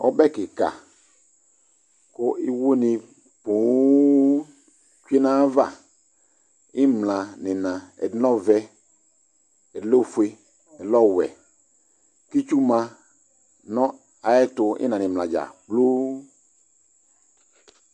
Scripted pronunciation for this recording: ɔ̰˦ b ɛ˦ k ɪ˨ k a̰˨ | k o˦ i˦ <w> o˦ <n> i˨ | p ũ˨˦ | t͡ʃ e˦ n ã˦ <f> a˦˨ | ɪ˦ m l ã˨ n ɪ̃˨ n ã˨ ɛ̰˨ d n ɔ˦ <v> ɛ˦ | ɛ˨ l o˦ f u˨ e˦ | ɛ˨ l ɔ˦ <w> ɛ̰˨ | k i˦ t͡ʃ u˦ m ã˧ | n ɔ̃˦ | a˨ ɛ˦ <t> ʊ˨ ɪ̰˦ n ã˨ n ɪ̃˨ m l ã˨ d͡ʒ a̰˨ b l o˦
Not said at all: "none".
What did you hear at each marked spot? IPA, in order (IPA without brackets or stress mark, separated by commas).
w, n, v, v, w, t